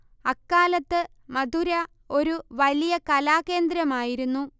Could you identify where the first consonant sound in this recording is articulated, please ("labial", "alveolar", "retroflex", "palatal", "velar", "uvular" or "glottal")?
velar